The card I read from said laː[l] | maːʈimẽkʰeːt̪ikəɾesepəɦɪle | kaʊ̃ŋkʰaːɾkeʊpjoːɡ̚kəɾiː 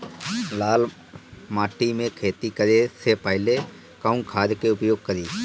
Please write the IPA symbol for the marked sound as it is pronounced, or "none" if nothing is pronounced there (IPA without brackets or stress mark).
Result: l